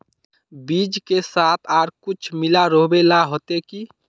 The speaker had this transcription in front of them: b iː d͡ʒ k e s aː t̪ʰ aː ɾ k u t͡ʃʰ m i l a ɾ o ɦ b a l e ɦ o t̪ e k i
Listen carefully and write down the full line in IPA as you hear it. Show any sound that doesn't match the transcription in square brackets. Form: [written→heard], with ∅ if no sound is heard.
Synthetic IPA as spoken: b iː d͡ʒ k e s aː t̪ʰ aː ɾ k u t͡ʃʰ m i l a ɾ o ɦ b [a→e] l [e→a] ɦ o t̪ e k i

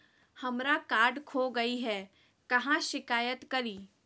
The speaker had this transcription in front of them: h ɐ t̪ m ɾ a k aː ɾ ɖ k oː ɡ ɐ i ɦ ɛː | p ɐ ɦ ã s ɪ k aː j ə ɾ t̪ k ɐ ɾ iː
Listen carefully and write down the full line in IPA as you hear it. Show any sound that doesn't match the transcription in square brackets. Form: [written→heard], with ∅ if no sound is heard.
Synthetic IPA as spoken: h ɐ [t̪→∅] m ɾ a k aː ɾ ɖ [k→kʰ] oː ɡ ɐ i ɦ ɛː | [p→k] ɐ ɦ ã [s→ʃ] ɪ k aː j ə [ɾ→∅] t̪ k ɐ ɾ iː

